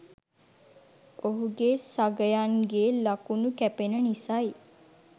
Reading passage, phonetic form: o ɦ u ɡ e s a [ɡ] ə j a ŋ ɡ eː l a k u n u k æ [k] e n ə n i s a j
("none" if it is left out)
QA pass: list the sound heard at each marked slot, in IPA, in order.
ɡ, p

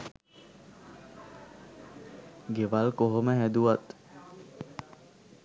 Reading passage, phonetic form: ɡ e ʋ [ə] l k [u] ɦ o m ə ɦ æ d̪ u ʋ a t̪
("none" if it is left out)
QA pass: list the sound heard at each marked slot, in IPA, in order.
a, o

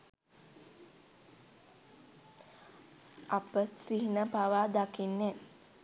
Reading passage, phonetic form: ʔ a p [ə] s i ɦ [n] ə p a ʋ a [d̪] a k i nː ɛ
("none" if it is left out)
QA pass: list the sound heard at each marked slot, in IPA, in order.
ə, n, d̪

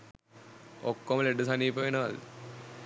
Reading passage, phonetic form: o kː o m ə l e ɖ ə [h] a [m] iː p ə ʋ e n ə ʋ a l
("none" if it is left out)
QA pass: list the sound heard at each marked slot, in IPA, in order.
s, n

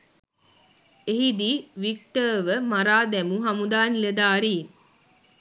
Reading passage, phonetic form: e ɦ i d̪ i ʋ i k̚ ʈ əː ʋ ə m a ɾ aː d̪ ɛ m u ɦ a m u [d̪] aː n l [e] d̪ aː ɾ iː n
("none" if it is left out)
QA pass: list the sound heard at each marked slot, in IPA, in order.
d̪, e

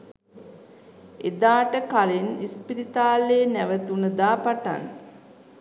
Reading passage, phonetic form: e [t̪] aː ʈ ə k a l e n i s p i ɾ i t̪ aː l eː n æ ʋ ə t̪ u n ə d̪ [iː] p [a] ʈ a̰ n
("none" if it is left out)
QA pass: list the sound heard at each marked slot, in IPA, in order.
d̪, aː, a

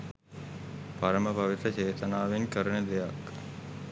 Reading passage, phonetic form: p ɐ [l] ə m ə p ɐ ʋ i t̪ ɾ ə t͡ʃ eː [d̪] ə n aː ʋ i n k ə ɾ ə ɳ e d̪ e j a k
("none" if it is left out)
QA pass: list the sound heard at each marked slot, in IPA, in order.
ɾ, t̪

